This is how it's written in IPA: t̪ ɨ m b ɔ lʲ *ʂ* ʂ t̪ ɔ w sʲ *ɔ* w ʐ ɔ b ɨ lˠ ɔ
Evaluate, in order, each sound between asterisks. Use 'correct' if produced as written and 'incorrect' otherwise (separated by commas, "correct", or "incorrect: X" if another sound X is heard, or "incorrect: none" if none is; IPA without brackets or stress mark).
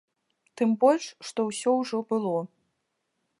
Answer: correct, correct